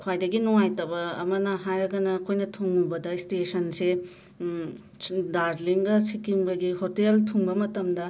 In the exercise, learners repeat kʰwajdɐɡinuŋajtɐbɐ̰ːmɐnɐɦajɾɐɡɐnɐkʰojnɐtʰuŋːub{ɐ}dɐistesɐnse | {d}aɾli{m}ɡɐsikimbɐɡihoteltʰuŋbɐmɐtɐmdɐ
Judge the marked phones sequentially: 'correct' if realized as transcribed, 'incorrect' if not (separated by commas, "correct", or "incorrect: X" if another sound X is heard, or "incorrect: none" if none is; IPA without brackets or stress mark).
correct, correct, incorrect: ŋ